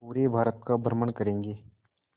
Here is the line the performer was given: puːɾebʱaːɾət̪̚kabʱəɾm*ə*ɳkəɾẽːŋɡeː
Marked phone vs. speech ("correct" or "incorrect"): correct